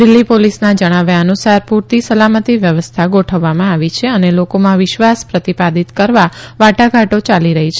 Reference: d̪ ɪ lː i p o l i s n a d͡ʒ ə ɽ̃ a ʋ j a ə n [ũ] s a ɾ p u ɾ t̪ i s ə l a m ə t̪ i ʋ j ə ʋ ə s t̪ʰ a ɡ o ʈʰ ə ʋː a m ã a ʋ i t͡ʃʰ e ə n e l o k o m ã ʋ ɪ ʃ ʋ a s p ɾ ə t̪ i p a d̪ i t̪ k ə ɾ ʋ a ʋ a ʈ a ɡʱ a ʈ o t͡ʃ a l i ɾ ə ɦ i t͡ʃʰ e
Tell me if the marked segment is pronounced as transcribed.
no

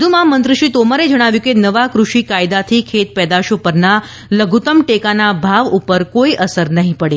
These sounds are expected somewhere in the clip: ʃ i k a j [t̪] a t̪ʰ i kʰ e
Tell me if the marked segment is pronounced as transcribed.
no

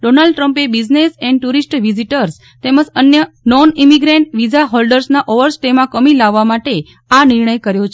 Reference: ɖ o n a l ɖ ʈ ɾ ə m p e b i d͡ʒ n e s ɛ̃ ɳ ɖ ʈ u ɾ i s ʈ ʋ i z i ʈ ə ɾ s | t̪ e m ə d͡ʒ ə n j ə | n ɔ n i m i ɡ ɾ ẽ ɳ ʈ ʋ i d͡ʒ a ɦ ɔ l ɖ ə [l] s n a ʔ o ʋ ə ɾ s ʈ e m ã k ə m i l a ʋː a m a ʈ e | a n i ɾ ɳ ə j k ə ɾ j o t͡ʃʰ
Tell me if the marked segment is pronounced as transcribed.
no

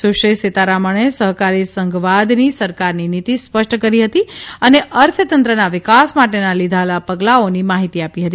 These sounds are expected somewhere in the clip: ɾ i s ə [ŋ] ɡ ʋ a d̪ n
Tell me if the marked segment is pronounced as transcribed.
yes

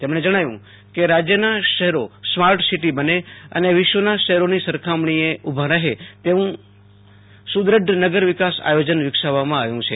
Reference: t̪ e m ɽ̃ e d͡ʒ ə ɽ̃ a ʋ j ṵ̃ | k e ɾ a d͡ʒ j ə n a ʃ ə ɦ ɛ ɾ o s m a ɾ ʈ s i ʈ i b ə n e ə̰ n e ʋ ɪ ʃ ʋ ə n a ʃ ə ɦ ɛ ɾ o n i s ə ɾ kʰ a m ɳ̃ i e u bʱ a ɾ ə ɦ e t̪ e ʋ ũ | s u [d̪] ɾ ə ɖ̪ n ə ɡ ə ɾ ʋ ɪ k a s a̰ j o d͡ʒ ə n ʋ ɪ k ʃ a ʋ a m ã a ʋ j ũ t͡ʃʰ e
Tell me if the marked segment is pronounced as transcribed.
yes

